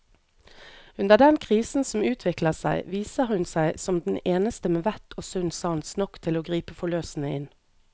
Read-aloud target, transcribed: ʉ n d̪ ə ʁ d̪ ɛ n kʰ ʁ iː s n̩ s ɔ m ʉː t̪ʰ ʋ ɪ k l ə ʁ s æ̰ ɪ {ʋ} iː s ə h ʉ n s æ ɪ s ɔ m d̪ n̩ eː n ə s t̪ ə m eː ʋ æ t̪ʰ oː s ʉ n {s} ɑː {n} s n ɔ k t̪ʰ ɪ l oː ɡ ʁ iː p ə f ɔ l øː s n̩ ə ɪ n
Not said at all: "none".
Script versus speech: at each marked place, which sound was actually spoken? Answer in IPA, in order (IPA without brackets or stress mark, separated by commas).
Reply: ʋ, s, n